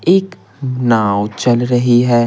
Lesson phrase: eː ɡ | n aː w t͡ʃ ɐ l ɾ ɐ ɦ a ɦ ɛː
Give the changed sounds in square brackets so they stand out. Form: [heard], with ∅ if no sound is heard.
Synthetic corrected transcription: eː [k] | n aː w t͡ʃ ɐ l ɾ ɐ ɦ [i] ɦ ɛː